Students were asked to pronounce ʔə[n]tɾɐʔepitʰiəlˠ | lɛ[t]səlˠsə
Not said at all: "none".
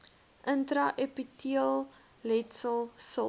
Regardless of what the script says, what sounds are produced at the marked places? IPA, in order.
n, t

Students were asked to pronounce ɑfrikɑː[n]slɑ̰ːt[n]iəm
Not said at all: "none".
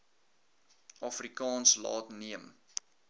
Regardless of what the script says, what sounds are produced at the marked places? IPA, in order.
n, n

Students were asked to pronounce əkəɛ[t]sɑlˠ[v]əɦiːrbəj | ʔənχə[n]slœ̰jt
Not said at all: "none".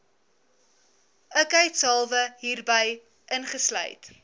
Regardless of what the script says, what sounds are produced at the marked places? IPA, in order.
t, v, none

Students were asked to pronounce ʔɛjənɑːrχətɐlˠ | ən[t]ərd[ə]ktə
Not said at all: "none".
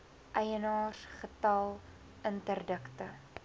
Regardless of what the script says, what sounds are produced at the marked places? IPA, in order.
t, ə

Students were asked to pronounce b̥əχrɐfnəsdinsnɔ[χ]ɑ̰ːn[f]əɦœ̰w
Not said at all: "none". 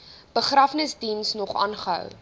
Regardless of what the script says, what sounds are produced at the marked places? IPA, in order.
χ, χ

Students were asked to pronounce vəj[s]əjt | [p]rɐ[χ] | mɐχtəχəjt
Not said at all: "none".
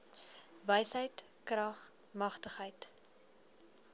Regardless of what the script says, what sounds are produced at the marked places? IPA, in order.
s, k, χ

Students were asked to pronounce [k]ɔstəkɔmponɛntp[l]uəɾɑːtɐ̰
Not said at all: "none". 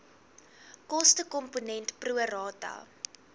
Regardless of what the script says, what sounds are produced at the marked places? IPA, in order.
k, r

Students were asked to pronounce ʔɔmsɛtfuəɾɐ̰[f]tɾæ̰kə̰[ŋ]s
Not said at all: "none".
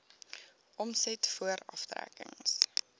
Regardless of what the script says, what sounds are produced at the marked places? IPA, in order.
f, ŋ

